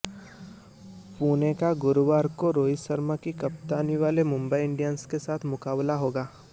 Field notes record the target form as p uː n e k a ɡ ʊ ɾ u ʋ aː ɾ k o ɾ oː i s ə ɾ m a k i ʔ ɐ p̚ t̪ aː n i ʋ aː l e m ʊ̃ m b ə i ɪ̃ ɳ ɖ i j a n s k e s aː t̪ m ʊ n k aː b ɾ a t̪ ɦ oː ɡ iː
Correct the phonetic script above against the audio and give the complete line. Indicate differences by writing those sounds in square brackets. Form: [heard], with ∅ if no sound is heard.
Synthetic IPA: p uː n e k a ɡ ʊ ɾ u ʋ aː ɾ k o ɾ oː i s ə ɾ m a k i [k] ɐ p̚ t̪ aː n i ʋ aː l e m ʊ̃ m b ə i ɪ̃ ɳ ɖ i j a n s k e s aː [t̪ʰ] m ʊ [∅] k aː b [l] a [∅] ɦ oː ɡ [aː]